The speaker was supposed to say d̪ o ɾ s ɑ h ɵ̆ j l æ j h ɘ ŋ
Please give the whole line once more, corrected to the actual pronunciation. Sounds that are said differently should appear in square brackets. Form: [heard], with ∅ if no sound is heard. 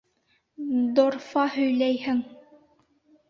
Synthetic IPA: d̪ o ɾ [f] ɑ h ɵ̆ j l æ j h ɘ ŋ